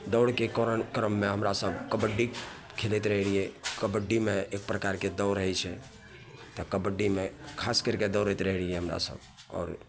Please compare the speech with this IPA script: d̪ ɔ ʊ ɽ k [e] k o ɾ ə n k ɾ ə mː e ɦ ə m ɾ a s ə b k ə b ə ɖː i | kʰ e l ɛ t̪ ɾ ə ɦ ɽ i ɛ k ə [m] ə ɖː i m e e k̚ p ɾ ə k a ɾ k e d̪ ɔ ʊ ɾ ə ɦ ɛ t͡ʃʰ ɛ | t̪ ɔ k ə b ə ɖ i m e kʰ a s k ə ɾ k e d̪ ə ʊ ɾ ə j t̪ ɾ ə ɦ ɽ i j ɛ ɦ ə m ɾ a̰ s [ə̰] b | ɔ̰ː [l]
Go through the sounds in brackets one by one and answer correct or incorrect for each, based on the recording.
correct, incorrect: b, correct, incorrect: ɾ

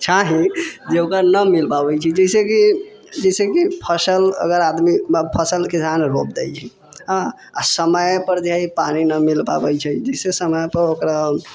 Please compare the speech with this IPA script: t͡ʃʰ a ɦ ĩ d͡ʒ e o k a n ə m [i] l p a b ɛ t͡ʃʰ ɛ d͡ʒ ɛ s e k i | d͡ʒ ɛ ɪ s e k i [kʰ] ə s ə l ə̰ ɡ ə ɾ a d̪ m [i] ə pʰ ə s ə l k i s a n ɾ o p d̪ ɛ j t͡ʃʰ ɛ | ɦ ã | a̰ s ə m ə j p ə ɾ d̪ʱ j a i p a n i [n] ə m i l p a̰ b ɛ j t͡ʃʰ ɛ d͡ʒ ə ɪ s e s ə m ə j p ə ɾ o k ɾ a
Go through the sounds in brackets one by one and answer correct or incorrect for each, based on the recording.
correct, incorrect: pʰ, correct, correct

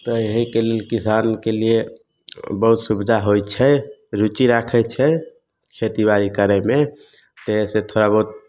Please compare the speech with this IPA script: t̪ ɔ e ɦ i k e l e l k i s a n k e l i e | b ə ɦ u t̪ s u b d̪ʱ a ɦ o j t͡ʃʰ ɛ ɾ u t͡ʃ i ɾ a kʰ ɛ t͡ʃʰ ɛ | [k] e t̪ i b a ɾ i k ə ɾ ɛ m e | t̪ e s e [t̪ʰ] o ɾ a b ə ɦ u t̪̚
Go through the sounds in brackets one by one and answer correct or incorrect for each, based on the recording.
incorrect: kʰ, correct

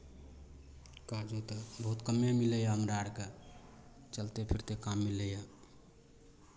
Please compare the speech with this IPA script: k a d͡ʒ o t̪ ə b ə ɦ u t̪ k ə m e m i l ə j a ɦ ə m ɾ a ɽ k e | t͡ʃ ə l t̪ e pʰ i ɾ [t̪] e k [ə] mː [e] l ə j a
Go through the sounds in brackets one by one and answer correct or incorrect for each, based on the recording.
correct, incorrect: a, incorrect: i

